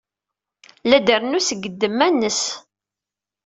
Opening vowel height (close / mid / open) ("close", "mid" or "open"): open